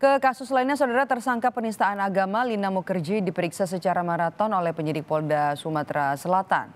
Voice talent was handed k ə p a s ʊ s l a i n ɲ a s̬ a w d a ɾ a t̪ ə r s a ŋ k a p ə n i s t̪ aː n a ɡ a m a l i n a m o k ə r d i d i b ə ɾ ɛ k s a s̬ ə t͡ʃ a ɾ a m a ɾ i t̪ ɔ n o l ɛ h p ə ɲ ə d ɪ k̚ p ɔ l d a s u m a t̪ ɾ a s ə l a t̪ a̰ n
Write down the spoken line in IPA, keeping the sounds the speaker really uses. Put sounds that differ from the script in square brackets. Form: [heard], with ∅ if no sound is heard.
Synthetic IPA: k ə [k] a s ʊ s l a i n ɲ a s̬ a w d a ɾ a t̪ ə r s a ŋ k a p ə n i s t̪ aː n a ɡ a m a l i n a m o k ə r [d͡ʒ] i d i [p] ə ɾ [i] k s a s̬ ə t͡ʃ a ɾ a m a ɾ [a] t̪ ɔ n o l ɛ h p ə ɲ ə d ɪ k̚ p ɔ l d a s u m a t̪ ɾ a s ə l a t̪ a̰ n